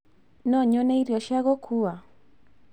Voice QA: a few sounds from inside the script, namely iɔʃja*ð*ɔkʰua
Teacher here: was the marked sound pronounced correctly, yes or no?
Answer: no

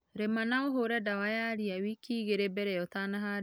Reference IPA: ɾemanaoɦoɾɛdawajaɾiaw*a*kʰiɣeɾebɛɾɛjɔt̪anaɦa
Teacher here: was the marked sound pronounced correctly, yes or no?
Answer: no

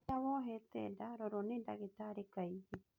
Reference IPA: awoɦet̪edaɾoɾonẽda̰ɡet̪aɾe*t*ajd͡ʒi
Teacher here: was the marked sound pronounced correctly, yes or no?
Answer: no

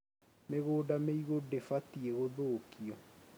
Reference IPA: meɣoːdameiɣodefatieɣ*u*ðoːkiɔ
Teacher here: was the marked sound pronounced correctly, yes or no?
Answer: no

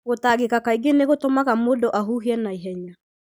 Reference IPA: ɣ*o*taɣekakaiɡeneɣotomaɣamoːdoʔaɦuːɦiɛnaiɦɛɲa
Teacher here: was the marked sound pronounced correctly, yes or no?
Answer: yes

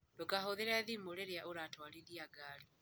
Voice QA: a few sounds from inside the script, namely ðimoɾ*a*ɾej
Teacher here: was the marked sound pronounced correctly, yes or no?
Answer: no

